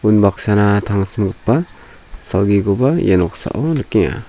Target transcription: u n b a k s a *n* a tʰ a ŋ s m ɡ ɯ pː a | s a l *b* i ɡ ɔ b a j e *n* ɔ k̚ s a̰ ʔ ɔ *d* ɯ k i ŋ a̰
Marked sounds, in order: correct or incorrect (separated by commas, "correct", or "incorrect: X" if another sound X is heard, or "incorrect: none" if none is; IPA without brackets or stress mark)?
correct, incorrect: ɡ, correct, incorrect: n